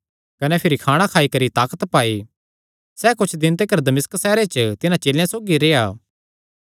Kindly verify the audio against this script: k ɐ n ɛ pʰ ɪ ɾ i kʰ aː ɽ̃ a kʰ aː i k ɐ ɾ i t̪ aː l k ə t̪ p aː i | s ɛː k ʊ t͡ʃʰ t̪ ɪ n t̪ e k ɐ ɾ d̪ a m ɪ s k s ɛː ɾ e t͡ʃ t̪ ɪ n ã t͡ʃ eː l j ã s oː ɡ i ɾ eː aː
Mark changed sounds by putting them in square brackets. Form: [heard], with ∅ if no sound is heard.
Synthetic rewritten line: k ɐ n ɛ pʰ ɪ ɾ i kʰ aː ɽ̃ a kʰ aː i k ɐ ɾ i t̪ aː [∅] k ə t̪ p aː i | s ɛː k ʊ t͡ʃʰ [d̪] ɪ n t̪ e k ɐ ɾ d̪ [ɐ] m ɪ s k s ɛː ɾ e t͡ʃ t̪ ɪ n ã t͡ʃ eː l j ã s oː ɡ i ɾ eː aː

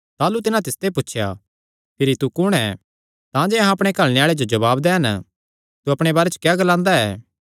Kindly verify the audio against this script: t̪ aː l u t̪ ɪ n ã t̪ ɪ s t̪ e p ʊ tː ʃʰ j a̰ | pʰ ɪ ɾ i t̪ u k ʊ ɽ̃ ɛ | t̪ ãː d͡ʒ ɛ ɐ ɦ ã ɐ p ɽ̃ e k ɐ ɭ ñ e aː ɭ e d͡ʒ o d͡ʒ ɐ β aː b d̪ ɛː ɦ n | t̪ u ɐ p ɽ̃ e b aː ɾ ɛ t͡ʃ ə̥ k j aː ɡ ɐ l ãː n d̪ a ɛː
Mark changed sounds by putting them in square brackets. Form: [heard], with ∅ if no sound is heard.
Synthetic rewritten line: t̪ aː l u t̪ ɪ n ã t̪ ɪ s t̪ e p ʊ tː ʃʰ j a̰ | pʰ ɪ ɾ i t̪ u k ʊ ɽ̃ ɛ | t̪ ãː d͡ʒ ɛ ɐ ɦ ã ɐ p ɽ̃ e k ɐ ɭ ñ e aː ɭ e d͡ʒ o d͡ʒ ɐ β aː b d̪ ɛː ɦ n | t̪ u ɐ p ɽ̃ e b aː ɾ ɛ t͡ʃ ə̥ k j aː ɡ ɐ l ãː n d̪ a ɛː

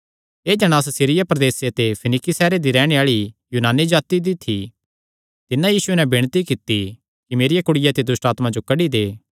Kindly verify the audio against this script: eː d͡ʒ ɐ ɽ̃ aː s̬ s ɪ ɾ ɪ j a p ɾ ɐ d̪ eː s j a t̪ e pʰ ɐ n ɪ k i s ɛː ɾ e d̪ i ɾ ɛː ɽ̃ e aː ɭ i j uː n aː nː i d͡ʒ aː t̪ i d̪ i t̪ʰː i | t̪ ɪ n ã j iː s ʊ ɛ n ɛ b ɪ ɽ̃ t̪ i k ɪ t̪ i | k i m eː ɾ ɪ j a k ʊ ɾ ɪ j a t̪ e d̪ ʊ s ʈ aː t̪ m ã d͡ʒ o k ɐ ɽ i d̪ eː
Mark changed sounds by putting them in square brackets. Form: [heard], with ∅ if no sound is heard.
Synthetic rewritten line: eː d͡ʒ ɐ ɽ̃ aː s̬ s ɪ ɾ ɪ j a p ɾ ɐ d̪ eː s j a t̪ e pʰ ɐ n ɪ k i s ɛː ɾ e d̪ i ɾ ɛː ɽ̃ e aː ɭ i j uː n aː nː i d͡ʒ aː t̪ i d̪ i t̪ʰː i | t̪ ɪ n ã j iː s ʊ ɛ n ɛ b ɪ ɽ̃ t̪ i k ɪ t̪ i | k i m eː ɾ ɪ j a k ʊ [ɽ] ɪ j a t̪ e d̪ ʊ s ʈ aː t̪ m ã d͡ʒ o k ɐ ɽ i d̪ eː

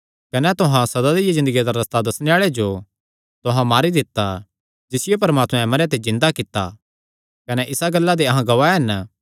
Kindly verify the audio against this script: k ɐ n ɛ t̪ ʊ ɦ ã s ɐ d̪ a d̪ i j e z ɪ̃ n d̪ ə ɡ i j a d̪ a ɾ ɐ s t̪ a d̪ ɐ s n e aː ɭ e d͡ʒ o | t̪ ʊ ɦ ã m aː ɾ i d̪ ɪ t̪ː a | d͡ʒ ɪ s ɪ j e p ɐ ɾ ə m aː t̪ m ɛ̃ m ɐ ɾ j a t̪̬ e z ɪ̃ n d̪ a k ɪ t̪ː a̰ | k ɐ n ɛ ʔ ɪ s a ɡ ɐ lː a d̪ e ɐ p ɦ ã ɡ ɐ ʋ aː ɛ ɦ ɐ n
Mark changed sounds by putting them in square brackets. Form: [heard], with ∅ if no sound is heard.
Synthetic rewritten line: k ɐ n ɛ t̪ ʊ ɦ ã s ɐ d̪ a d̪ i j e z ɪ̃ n d̪ ə ɡ i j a d̪ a ɾ ɐ s t̪ a d̪ ɐ s n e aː ɭ e d͡ʒ o | t̪ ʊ ɦ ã m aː ɾ i d̪ ɪ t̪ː a | d͡ʒ ɪ s ɪ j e p ɐ ɾ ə m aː t̪ m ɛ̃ m ɐ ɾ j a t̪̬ e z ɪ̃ n d̪ a k ɪ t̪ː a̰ | k ɐ n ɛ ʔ ɪ s a ɡ ɐ lː a d̪ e ɐ [∅] ɦ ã ɡ ɐ ʋ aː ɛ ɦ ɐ n

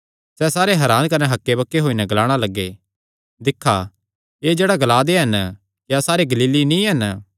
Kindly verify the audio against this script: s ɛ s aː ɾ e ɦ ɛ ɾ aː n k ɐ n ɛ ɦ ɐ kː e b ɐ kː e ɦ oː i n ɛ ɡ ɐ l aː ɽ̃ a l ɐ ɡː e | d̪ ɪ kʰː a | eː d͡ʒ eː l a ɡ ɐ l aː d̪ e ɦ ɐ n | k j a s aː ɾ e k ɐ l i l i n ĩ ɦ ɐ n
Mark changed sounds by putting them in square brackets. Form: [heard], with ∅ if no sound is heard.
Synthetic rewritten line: s ɛ s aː ɾ e ɦ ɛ ɾ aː n k ɐ n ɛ ɦ ɐ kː e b ɐ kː e ɦ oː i n ɛ ɡ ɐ l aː ɽ̃ a l ɐ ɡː e | d̪ ɪ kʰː a | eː d͡ʒ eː [ɽ] a ɡ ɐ l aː d̪ e ɦ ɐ n | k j a s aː ɾ e [ɡ] ɐ l [iː] l i n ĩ ɦ ɐ n

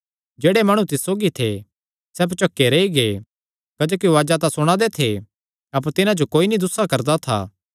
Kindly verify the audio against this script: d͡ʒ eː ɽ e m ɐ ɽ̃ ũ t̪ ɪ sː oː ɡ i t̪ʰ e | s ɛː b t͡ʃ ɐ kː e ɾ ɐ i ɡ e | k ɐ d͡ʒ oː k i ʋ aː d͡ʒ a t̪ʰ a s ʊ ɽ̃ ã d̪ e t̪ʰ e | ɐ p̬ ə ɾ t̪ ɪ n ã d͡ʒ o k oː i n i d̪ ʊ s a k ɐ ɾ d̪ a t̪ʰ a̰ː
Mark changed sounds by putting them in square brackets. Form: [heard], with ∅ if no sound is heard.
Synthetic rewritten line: d͡ʒ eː ɽ e m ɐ ɽ̃ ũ t̪ ɪ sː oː ɡ i t̪ʰ e | s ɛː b t͡ʃ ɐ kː e ɾ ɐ i ɡ e | k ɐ d͡ʒ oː k i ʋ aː d͡ʒ a [t̪] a s ʊ ɽ̃ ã d̪ e t̪ʰ e | ɐ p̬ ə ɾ t̪ ɪ n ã d͡ʒ o k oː i n i d̪ ʊ s a k ɐ ɾ d̪ a t̪ʰ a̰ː

